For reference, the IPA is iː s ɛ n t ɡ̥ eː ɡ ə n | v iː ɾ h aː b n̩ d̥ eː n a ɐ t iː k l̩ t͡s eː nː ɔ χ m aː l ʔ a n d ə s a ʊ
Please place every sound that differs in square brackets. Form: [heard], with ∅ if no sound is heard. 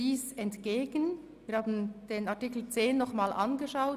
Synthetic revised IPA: iː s ɛ n t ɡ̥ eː ɡ ə n | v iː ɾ h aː b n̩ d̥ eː n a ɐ t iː k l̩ t͡s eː nː ɔ χ m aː l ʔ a n [ɡ] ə [ʃ] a ʊ